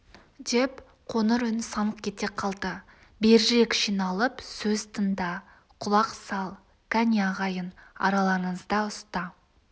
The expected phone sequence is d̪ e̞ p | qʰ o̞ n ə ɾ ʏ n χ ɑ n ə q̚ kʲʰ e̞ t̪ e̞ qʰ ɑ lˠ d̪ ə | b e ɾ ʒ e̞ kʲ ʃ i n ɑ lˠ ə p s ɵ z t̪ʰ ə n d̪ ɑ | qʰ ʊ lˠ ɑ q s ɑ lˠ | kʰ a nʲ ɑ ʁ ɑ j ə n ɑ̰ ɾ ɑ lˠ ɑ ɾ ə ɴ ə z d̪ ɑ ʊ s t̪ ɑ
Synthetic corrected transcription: d̪ e̞ p | qʰ o̞ n ə ɾ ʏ n s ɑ n ə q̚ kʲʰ e̞ t̪ e̞ qʰ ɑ lˠ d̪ ə | b e ɾ ʒ e̞ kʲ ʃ i n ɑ lˠ ə p s ɵ z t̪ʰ ə n d̪ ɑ | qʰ ʊ lˠ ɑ q s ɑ lˠ | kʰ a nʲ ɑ ʁ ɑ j ə n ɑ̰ ɾ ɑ lˠ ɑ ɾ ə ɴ ə z d̪ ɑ ʊ s t̪ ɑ